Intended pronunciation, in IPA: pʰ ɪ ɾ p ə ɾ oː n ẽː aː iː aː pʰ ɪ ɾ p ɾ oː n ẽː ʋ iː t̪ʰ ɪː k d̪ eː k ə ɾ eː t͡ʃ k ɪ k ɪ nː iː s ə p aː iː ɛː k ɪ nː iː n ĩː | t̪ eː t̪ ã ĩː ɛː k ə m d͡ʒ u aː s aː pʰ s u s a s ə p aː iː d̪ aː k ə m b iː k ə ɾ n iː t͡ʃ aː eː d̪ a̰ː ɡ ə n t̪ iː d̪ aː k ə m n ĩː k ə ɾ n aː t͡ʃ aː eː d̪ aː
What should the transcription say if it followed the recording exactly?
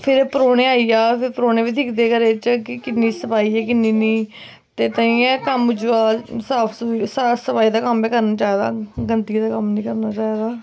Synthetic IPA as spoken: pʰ ɪ ɾ p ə ɾ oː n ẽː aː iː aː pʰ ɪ ɾ p ɾ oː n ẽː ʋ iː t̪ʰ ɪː k d̪ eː k ə ɾ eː t͡ʃ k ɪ k ɪ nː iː s ə p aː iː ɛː k ɪ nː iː n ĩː | t̪ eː t̪ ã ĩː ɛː k ə m d͡ʒ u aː s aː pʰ s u s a s ə p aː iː d̪ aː k ə m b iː k ə ɾ n aː t͡ʃ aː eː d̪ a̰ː ɡ ə n t̪ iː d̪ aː k ə m n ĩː k ə ɾ n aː t͡ʃ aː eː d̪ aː